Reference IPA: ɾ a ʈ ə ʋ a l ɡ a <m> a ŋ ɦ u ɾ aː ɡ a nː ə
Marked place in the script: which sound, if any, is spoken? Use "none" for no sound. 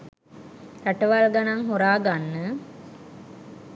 n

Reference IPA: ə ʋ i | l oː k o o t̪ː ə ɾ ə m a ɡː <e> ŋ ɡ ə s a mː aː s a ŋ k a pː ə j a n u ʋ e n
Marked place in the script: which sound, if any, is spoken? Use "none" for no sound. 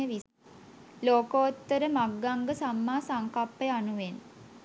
a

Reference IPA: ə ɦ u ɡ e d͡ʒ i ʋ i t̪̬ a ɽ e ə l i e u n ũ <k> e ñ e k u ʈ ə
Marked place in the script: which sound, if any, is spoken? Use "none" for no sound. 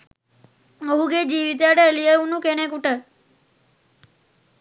k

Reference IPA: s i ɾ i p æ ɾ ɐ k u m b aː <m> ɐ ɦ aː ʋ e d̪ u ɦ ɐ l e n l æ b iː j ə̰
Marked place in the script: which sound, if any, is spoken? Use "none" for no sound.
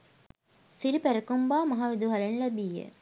m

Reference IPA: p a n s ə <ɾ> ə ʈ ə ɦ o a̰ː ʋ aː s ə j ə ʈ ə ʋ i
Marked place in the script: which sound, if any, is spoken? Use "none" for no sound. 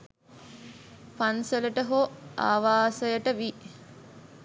l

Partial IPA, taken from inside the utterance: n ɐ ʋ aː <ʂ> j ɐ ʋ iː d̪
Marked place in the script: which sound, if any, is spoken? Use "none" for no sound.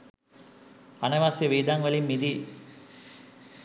s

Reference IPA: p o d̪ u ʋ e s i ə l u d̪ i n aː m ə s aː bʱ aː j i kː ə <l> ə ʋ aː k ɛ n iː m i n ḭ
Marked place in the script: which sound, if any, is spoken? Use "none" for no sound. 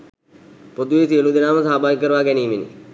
ɾ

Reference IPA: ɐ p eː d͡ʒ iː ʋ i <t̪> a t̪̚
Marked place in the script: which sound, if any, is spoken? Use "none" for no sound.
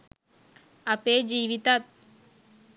t̪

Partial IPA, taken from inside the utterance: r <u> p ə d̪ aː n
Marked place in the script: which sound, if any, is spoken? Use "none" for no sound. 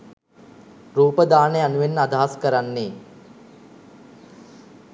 uː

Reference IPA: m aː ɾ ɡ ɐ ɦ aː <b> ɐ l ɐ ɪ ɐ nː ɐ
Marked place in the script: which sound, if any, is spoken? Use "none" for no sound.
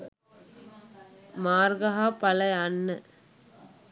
p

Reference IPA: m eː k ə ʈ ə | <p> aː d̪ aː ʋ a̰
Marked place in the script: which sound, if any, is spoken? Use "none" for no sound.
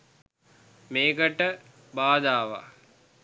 b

